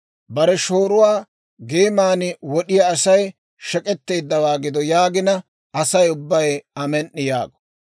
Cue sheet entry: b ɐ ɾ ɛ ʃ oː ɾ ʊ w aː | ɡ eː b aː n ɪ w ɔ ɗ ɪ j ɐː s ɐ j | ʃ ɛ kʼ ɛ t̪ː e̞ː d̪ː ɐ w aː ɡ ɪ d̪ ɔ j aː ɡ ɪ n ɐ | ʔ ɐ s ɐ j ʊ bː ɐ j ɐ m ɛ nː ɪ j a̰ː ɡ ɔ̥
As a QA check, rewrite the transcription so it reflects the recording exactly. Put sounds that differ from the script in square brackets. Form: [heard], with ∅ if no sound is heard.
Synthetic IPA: b ɐ ɾ ɛ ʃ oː ɾ ʊ w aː | ɡ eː [m] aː n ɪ w ɔ ɗ ɪ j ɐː s ɐ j | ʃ ɛ kʼ ɛ t̪ː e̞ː d̪ː ɐ w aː ɡ ɪ d̪ ɔ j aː ɡ ɪ n ɐ | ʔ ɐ s ɐ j ʊ bː ɐ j ɐ m ɛ nː ɪ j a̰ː ɡ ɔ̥